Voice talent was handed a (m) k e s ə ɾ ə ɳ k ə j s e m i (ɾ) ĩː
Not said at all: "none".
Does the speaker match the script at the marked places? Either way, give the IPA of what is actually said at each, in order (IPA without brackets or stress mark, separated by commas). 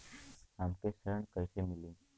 m, l